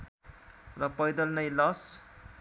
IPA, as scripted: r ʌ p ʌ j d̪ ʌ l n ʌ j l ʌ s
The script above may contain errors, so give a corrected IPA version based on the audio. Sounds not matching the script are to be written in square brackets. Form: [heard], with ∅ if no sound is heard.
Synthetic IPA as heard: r ʌ p ʌ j d̪ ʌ l n ʌ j l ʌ s